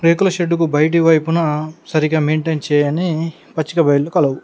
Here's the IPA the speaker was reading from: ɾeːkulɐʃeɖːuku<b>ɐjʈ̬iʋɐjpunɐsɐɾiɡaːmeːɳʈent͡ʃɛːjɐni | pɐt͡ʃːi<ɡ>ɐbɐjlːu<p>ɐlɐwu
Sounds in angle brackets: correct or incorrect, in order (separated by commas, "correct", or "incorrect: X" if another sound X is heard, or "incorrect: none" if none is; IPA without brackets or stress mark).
correct, incorrect: k, incorrect: k